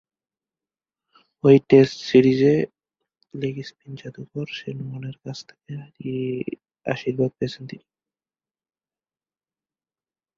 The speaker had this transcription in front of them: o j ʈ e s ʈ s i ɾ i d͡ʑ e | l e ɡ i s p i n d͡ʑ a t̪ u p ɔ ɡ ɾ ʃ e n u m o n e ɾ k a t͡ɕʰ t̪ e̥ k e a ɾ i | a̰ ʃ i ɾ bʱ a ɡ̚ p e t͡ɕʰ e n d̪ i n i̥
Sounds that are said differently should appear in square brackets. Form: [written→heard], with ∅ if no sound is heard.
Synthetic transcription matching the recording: o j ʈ e s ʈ s i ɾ i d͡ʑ e | l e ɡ i s p i n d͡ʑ a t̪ u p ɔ [ɡ→∅] ɾ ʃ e n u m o n e ɾ k a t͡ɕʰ [t̪→t̪ʰ] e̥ k e a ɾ i | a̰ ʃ i ɾ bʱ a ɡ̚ p e t͡ɕʰ e n [d̪→t̪] i n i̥